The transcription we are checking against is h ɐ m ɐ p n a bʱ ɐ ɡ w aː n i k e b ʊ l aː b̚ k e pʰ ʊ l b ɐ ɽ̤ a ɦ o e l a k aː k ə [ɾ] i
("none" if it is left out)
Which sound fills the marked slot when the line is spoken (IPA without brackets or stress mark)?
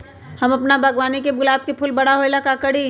ɽ